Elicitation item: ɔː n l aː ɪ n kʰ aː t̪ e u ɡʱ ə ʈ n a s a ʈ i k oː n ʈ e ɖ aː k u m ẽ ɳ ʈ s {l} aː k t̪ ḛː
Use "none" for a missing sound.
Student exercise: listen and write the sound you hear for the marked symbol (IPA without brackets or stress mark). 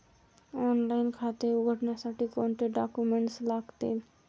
l